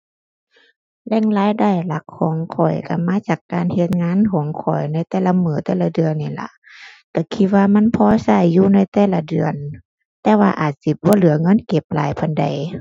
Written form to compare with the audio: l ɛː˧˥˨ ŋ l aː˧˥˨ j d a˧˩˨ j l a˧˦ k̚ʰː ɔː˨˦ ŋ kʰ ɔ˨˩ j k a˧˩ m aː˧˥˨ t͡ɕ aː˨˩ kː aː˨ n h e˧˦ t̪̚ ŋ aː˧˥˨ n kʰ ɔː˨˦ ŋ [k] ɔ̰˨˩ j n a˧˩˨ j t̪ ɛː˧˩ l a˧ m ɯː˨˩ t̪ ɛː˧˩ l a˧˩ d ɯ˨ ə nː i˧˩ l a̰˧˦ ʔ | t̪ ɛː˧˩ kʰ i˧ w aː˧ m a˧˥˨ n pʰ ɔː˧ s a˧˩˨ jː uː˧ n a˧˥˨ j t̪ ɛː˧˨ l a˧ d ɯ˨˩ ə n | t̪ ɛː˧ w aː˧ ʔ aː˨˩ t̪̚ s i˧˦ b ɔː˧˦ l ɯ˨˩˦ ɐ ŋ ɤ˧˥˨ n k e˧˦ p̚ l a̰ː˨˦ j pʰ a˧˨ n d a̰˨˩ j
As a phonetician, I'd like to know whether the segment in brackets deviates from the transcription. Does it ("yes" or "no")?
yes